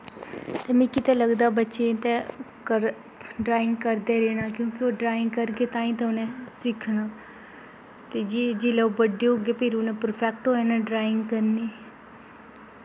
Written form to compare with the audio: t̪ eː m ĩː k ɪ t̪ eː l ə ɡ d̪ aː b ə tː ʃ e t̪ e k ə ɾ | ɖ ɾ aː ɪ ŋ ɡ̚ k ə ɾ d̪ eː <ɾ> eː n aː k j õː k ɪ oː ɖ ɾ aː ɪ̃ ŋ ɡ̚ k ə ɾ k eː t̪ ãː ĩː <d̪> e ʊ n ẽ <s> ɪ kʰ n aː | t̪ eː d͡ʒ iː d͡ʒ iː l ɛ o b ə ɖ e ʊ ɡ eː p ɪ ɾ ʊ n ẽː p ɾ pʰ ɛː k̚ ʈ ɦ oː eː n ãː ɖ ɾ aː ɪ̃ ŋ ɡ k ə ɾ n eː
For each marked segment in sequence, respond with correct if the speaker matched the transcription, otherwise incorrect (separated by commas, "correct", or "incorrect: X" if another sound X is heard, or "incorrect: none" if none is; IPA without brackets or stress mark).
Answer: correct, incorrect: t̪, correct